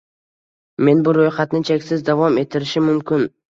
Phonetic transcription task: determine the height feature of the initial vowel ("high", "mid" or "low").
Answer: mid